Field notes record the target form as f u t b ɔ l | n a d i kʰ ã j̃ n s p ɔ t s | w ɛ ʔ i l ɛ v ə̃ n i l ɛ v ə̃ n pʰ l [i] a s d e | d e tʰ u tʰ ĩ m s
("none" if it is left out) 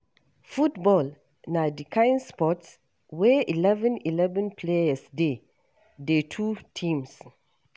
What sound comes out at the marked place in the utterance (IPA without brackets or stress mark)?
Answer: e